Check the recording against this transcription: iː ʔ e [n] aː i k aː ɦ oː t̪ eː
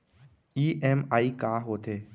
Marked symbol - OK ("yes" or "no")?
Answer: no